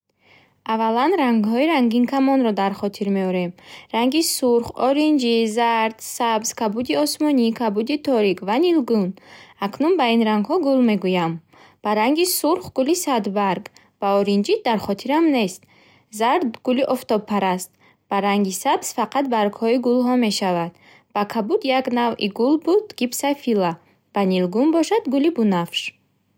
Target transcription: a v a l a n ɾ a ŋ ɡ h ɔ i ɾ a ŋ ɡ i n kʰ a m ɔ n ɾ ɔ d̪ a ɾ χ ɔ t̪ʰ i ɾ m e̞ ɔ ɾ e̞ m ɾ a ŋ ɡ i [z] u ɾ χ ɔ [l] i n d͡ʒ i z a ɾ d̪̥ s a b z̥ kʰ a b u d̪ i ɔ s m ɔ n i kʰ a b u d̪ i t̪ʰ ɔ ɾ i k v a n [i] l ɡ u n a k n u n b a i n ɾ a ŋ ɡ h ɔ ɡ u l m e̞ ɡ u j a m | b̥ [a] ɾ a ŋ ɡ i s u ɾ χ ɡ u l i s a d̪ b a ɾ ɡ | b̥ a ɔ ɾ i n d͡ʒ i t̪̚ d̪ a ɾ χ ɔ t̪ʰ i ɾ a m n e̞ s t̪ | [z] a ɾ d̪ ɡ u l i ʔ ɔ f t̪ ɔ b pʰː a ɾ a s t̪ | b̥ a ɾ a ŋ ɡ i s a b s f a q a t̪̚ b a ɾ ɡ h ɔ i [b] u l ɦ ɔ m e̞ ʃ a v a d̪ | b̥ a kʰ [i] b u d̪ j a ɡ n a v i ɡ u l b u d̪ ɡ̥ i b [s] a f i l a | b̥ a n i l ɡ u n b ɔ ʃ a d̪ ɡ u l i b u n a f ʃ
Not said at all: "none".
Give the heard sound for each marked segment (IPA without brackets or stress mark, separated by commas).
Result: s, ɾ, i, a, z, ɡ, a, s